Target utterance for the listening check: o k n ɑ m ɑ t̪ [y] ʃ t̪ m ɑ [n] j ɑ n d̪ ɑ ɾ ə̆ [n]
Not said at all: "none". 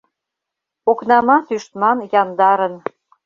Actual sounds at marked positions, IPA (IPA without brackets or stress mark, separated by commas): y, n, n